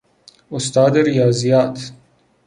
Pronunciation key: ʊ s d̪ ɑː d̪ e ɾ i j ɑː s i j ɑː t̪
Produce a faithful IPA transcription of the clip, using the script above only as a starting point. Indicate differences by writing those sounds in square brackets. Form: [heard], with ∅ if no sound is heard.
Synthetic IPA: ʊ s [t̪] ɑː d̪ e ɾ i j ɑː [z] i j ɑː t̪